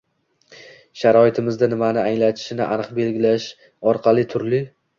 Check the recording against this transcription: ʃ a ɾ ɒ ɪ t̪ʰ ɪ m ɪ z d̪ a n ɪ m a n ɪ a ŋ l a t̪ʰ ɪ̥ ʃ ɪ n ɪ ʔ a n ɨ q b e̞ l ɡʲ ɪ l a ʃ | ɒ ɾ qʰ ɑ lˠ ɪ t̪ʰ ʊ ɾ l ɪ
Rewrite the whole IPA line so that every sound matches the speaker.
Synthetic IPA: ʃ a ɾ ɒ ɪ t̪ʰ ɪ m ɪ z d̪ a n ɪ m a n ɪ a ŋ l a t̪ʰ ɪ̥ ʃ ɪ n ɪ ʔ a n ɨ q b e̞ l ɡʲ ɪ l a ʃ | ɒ ɾ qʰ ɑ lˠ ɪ t̪ʰ ʊ ɾ l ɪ